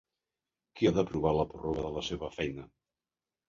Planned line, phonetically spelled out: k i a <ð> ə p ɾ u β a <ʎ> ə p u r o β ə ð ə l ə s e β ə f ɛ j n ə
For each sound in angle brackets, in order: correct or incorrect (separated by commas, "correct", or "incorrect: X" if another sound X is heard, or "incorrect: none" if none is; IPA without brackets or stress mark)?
correct, incorrect: l